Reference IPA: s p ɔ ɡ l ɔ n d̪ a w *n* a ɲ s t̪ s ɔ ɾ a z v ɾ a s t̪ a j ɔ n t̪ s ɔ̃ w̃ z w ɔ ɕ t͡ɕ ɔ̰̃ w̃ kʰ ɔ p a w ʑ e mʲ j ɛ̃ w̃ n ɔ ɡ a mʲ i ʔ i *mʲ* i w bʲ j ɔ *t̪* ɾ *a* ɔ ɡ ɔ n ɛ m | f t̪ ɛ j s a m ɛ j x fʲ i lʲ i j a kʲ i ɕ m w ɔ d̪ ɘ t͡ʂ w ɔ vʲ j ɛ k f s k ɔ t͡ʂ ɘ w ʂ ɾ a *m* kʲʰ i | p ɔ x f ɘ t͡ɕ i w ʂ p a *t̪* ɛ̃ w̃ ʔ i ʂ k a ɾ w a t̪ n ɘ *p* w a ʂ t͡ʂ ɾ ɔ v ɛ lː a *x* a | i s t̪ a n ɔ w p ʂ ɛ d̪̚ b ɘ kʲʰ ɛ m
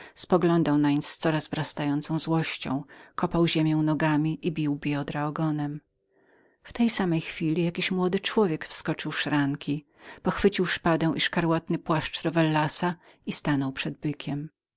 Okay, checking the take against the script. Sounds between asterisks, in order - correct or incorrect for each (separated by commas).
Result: correct, incorrect, incorrect, correct, incorrect, incorrect, correct, incorrect